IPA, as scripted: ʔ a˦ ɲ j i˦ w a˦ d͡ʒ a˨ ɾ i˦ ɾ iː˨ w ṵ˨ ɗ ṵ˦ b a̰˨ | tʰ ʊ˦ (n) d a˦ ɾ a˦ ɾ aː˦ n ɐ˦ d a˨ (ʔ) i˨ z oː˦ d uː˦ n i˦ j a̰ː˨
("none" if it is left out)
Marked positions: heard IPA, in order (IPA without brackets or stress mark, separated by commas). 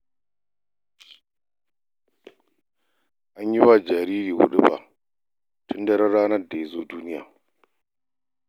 n, none